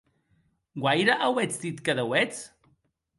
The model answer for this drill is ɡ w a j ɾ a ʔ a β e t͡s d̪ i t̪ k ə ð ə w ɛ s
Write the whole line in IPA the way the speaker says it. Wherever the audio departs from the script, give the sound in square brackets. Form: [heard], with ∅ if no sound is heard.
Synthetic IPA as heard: ɡ w a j ɾ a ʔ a [w] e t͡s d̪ i t̪ k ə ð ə w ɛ [t͡s]